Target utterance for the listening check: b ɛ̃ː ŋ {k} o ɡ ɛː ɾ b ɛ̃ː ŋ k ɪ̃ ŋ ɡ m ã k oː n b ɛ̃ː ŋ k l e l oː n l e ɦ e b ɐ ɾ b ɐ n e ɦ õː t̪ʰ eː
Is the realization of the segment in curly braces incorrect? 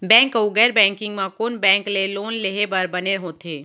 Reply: no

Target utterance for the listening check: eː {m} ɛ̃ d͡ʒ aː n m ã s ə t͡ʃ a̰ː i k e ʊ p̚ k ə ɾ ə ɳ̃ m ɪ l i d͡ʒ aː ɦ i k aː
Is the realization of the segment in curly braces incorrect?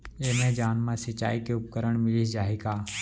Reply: no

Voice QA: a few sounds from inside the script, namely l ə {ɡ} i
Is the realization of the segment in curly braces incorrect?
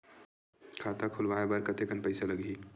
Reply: no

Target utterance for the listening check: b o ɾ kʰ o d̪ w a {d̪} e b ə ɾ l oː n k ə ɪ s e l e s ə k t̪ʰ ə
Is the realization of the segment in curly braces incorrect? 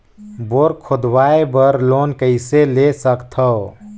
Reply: yes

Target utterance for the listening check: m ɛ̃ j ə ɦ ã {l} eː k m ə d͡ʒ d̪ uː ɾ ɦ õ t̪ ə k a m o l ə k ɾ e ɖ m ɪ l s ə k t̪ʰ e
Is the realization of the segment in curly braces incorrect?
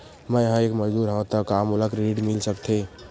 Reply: yes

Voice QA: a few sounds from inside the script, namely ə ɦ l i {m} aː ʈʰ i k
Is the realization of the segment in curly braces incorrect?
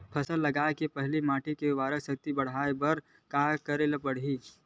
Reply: no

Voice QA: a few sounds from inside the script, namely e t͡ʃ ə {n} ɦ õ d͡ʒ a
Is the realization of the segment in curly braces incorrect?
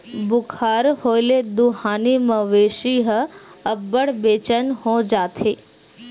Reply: no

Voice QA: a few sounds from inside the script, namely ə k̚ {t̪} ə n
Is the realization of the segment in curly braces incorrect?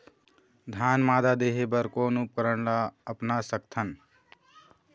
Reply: yes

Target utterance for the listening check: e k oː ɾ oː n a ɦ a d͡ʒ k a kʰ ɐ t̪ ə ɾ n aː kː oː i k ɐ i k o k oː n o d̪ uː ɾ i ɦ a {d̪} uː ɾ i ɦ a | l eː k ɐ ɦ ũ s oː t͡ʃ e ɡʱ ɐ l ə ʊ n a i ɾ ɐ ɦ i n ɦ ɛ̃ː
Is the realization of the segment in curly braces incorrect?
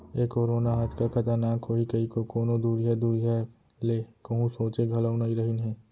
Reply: no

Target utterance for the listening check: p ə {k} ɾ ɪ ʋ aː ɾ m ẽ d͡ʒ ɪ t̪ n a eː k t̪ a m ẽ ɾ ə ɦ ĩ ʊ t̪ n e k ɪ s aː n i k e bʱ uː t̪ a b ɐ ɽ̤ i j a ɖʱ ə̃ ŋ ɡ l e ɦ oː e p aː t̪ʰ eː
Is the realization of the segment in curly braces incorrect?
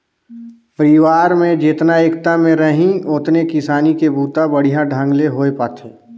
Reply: yes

